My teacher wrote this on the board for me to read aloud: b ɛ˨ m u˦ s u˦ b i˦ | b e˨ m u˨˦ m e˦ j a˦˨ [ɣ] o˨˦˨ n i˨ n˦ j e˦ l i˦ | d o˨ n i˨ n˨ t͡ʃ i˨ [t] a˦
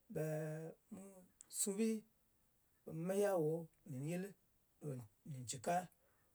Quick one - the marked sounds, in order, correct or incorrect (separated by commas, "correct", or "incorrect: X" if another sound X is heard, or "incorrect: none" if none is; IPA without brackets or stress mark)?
incorrect: w, incorrect: k